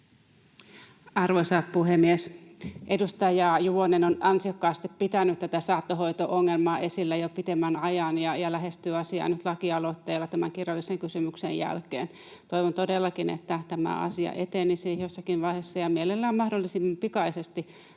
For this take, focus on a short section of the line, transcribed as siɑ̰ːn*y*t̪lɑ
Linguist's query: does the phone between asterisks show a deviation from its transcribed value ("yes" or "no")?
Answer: no